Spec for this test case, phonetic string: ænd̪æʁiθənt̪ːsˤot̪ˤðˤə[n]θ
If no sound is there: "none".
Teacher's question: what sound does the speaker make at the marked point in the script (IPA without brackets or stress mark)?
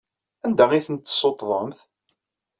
m